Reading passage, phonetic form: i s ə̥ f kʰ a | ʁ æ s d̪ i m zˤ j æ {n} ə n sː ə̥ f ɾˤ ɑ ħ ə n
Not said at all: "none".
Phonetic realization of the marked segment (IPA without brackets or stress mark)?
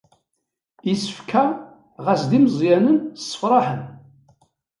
n